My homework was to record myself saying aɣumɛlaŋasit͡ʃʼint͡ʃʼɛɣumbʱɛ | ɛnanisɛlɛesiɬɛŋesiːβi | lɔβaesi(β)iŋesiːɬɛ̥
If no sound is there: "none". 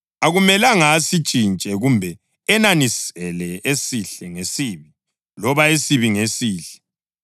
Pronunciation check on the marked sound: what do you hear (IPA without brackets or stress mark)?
β